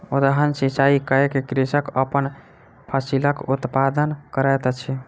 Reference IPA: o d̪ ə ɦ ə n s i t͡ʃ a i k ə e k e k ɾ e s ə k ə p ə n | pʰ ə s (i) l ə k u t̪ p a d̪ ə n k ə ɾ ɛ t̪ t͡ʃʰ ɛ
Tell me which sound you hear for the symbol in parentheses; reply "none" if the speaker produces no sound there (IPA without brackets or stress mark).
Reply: i